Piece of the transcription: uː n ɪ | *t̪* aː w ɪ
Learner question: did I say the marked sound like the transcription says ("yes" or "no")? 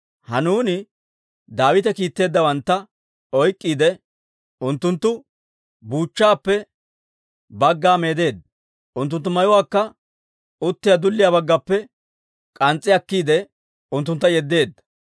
no